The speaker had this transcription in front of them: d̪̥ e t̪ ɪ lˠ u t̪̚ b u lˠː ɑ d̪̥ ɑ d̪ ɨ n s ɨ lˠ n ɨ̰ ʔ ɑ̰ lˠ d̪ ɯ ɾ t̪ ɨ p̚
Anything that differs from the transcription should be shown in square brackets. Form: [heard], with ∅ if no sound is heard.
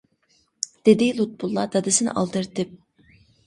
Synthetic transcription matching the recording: d̪̥ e [d̪] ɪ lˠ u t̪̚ b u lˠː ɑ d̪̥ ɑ d̪ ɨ [∅] s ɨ [∅] n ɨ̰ ʔ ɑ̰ lˠ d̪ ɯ ɾ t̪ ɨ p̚